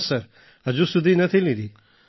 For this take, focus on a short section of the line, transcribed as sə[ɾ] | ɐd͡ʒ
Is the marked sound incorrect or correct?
correct